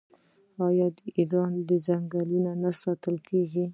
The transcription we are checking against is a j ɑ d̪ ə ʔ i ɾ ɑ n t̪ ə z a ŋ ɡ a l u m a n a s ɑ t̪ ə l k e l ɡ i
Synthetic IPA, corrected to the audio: ɑ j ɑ d̪ ə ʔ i ɾ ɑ n d̪ ə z a ŋ ɡ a l u n a n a s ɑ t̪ ə l k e ɡ i